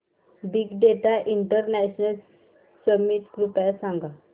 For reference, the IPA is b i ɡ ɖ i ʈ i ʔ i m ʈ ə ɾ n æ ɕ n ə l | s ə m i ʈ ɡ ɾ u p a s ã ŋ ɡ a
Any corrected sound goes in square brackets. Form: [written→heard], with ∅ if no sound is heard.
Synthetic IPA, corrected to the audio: b i ɡ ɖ [i→e] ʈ [i→a] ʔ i [m→ɳ] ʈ ə ɾ n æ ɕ n ə l | s ə m i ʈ ɡ ɾ u p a s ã ŋ ɡ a